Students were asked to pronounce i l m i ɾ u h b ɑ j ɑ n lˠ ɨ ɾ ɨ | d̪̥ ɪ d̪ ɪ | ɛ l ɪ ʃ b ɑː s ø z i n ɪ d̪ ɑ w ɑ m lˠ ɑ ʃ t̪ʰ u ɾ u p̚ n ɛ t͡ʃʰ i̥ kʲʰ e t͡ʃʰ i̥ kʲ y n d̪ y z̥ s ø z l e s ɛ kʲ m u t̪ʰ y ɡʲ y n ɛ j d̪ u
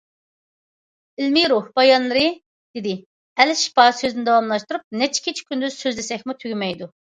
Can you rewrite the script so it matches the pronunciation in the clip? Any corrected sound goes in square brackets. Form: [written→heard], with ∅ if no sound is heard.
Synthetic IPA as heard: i l m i ɾ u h b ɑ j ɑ n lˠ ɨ ɾ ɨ | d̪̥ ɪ d̪ ɪ | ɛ l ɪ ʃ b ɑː s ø z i n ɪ d̪ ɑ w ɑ m lˠ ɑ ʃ [t̪ʰ→t̪] u ɾ u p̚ n ɛ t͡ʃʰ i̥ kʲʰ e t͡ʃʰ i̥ kʲ y n d̪ y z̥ s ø z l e s ɛ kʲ m u t̪ʰ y ɡʲ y [n→m] ɛ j d̪ u